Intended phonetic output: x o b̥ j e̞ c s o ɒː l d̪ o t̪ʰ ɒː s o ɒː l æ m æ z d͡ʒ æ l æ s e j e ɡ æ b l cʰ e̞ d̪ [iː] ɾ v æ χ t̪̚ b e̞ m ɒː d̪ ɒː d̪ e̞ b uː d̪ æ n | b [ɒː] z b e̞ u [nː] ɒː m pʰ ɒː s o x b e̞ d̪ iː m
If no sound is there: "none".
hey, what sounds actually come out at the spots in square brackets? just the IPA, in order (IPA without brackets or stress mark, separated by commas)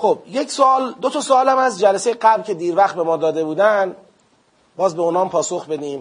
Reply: iː, ɒː, n